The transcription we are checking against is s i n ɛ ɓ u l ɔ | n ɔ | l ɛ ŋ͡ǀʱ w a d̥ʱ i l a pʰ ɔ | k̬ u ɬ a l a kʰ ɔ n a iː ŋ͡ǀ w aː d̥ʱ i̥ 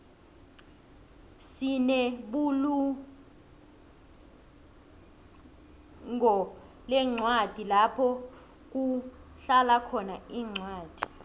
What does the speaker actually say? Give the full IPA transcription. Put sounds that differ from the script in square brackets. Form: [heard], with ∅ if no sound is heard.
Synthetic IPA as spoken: s i n ɛ ɓ u l [u] | [ŋ] ɔ | l ɛ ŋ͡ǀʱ w a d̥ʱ i l a pʰ ɔ | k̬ u ɬ a l a kʰ ɔ n a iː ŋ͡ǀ w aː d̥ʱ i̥

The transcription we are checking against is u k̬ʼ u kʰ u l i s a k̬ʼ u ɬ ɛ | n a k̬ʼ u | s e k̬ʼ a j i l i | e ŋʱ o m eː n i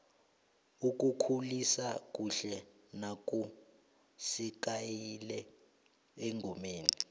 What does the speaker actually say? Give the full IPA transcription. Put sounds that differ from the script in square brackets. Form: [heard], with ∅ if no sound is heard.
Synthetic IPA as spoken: u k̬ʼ u kʰ u l i s a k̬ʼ u ɬ ɛ | n a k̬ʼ u | s [i] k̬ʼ a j i l [ɛ] | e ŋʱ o m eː n i

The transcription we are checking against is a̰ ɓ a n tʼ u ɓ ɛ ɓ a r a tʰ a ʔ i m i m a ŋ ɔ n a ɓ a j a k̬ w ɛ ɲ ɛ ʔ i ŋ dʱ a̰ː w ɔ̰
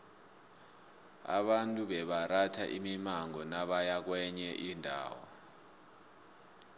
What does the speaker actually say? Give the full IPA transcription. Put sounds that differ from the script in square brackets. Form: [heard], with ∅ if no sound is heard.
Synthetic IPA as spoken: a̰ ɓ a n tʼ u ɓ ɛ ɓ a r a tʰ a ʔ i m i m a ŋ ɔ n a ɓ a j a k̬ w ɛ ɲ ɛ ʔ i [n] dʱ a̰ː w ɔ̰

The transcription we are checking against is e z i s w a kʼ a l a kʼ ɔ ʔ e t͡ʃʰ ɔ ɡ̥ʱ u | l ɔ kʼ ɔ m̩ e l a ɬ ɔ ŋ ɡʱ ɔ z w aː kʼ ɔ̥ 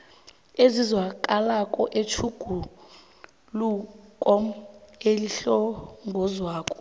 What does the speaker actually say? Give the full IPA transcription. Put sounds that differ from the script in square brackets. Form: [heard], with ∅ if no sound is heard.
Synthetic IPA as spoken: e z i [z] w a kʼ a l a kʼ ɔ ʔ e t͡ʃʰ [u] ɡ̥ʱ u | l [u] kʼ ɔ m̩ e l [i] ɬ ɔ ŋ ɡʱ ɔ z w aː kʼ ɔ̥

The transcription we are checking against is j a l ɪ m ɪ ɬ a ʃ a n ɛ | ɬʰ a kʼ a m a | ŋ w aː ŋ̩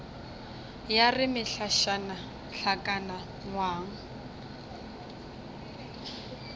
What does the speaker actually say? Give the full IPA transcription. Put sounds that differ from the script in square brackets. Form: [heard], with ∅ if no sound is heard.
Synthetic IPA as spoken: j a [r] ɪ m ɪ ɬ a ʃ a n [a] | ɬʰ a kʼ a [n] a | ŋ w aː ŋ̩

